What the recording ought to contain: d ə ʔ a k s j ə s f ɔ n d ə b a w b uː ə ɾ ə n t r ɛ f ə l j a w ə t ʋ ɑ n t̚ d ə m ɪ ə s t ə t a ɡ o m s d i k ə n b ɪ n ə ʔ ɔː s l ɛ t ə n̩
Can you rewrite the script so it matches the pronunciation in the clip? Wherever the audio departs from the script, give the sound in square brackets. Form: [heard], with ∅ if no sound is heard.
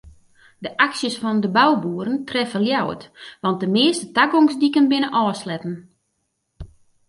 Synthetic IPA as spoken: d ə ʔ a k s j ə s f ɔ n d ə b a w b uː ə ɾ ə n t r ɛ f ə l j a w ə t ʋ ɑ n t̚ d ə m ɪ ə s t ə t a ɡ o [ŋ] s d i k ə n b ɪ n ə ʔ ɔː s l ɛ t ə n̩